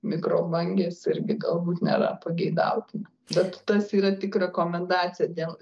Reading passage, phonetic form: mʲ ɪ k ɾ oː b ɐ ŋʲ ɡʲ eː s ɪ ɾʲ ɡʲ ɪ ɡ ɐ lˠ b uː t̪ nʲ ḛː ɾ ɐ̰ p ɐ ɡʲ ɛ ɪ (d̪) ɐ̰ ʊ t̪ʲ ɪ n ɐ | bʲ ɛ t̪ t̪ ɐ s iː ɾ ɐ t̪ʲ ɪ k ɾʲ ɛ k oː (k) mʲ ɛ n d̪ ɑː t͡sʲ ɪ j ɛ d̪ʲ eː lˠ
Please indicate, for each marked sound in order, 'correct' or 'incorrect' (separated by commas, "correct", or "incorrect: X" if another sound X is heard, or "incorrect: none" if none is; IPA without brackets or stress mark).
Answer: correct, incorrect: none